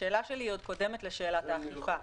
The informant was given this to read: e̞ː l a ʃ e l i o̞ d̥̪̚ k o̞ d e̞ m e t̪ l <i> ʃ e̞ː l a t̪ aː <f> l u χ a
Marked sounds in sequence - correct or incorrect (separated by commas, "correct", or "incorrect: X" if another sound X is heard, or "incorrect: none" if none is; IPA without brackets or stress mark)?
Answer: incorrect: e, incorrect: χ